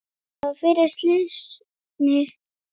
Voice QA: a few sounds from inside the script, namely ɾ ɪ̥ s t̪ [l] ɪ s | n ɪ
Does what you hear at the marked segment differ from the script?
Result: no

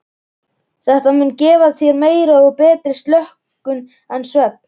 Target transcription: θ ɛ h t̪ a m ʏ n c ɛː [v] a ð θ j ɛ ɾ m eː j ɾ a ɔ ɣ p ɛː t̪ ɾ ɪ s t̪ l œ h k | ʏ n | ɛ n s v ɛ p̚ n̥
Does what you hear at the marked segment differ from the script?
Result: no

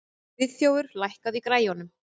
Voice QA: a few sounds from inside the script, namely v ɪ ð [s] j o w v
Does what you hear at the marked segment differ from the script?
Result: yes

